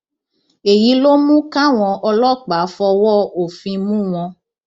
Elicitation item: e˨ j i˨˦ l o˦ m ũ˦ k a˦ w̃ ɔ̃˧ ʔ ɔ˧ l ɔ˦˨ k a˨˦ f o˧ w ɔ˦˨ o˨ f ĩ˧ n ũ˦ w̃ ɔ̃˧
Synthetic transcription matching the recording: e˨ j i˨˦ l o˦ m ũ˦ k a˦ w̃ ɔ̃˧ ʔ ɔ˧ l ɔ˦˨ k͡p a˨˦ f ɔ˧ w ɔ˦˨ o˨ f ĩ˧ m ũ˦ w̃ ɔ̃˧